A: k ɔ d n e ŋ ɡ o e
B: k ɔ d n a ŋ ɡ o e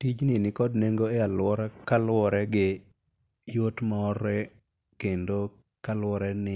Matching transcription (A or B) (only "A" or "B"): A